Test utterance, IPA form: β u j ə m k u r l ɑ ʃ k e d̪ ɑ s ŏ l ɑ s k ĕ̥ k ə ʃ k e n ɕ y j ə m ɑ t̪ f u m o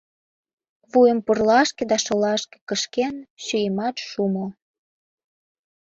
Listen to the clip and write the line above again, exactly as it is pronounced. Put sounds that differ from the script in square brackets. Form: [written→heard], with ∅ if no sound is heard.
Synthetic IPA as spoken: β u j ə m [k→p] u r l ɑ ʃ k e d̪ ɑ [s→ʃ] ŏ l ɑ [s→ʃ] k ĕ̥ k ə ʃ k e n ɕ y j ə m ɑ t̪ [f→ʃ] u m o